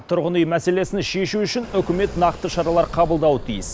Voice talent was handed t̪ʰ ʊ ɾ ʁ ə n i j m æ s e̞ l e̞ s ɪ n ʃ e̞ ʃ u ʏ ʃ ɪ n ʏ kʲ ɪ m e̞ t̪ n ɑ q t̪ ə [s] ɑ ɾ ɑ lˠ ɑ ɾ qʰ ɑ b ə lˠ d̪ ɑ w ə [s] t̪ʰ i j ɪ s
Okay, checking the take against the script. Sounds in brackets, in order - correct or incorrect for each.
incorrect: ʃ, incorrect: none

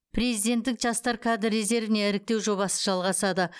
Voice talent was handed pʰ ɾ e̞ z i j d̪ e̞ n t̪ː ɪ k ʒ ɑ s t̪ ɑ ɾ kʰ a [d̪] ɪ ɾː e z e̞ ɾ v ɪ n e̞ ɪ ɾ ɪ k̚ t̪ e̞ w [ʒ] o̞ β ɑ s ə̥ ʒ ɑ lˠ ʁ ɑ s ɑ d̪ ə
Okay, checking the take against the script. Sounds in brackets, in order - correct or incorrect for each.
correct, correct

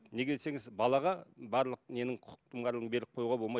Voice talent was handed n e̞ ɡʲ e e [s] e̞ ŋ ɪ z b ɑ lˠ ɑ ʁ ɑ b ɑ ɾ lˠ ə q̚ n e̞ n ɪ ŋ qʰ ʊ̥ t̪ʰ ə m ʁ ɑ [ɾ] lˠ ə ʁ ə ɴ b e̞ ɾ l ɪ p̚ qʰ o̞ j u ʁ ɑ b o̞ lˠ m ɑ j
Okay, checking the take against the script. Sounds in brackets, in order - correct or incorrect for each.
correct, correct

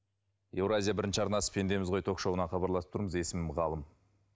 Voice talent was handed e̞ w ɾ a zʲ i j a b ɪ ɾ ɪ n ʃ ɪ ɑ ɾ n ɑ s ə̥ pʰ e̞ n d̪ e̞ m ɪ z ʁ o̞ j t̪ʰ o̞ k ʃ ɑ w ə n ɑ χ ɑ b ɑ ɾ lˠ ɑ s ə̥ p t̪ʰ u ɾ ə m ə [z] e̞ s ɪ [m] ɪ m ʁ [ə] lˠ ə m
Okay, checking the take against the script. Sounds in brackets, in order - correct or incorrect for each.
correct, correct, incorrect: ɑ

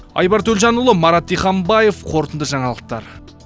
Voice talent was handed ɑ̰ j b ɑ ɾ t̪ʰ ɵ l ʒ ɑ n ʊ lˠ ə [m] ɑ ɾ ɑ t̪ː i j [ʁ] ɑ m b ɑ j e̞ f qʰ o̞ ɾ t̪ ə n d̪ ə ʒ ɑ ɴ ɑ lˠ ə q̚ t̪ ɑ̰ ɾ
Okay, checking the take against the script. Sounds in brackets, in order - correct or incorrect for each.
correct, incorrect: χ

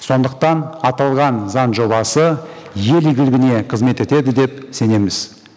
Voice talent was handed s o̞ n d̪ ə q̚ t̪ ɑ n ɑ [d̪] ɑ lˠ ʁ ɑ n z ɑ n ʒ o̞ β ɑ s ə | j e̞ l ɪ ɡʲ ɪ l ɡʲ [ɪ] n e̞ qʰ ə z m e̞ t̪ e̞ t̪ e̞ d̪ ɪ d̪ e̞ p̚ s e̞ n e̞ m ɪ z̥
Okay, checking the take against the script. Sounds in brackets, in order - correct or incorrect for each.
incorrect: t̪, correct

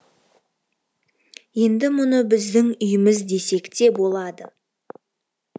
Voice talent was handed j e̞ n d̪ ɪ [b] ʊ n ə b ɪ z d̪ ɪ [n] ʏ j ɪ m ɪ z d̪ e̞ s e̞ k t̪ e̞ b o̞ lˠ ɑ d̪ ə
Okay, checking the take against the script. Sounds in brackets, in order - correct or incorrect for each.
incorrect: m, incorrect: ŋ

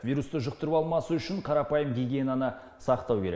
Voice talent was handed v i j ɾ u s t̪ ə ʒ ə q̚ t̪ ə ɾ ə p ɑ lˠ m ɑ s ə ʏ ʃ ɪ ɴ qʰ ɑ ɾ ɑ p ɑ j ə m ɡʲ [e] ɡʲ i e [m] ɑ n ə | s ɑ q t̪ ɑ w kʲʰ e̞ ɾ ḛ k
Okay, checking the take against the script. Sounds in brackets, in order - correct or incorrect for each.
incorrect: i, incorrect: n

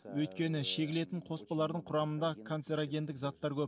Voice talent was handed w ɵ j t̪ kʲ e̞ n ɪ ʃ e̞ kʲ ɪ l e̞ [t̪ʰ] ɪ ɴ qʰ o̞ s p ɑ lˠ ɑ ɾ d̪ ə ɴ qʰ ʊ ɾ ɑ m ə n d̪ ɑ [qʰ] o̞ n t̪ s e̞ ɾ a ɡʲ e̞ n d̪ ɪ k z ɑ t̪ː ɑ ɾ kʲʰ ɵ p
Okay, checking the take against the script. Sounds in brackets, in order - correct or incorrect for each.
incorrect: t̪, incorrect: kʰ

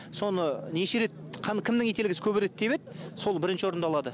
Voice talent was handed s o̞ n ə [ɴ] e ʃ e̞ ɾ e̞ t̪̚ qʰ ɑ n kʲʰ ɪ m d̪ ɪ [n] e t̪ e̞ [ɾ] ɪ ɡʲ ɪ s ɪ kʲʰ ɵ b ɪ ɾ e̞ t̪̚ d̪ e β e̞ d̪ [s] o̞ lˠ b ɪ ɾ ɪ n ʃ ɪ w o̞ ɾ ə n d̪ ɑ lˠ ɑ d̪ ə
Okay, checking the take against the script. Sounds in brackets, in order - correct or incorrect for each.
incorrect: n, incorrect: ŋ, incorrect: l, correct

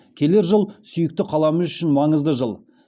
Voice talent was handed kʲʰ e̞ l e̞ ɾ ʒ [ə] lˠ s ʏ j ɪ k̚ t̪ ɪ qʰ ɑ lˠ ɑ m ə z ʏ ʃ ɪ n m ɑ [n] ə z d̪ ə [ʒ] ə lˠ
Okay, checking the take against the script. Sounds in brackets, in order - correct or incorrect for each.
correct, incorrect: ɴ, correct

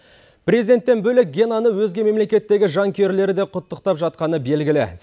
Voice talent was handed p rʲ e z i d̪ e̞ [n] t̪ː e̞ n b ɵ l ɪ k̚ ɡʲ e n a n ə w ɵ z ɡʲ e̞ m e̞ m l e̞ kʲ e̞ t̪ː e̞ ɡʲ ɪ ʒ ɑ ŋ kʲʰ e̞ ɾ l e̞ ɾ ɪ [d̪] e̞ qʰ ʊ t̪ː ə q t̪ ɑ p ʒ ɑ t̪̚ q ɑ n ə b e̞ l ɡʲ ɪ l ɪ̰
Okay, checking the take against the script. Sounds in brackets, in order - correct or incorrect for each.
correct, correct

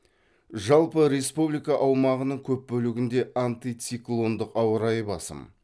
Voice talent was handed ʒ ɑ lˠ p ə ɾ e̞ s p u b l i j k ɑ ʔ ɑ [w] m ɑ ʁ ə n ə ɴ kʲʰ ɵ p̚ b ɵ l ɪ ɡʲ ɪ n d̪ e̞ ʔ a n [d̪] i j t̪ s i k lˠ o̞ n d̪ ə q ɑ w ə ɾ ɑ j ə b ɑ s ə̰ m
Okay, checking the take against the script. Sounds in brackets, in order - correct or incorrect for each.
correct, incorrect: t̪

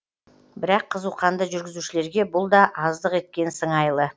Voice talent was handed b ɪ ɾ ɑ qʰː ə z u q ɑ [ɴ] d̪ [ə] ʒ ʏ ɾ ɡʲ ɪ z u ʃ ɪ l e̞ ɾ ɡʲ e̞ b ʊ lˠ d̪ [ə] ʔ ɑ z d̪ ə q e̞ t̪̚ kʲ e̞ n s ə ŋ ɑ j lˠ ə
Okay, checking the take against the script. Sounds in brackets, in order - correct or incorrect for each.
incorrect: n, correct, incorrect: ɑ

